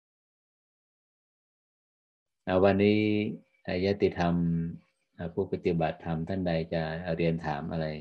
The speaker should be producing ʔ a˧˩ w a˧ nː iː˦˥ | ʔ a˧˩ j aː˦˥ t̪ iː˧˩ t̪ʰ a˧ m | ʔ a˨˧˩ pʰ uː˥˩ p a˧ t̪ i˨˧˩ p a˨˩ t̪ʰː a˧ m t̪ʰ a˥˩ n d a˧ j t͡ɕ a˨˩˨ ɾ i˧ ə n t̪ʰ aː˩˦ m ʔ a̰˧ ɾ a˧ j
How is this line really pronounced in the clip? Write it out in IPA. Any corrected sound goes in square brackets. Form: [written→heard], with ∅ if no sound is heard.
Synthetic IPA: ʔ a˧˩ w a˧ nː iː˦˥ | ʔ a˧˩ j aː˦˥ t̪ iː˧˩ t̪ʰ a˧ m | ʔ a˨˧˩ pʰ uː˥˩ p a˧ t̪ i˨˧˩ [p→b] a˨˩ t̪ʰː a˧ m t̪ʰ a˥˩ n d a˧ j t͡ɕ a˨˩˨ ɾ i˧ ə n t̪ʰ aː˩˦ m ʔ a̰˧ ɾ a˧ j